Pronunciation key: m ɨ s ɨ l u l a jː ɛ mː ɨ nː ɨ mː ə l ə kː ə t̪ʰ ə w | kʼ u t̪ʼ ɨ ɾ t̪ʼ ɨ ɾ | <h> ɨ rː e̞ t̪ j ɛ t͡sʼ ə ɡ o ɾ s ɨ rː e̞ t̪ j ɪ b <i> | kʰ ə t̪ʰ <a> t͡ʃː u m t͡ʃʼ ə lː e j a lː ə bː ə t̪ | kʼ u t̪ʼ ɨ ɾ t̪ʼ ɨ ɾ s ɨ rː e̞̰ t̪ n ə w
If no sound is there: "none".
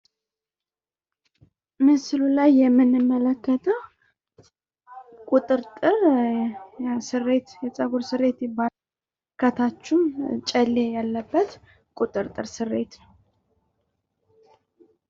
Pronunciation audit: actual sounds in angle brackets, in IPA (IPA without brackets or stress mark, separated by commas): s, a, a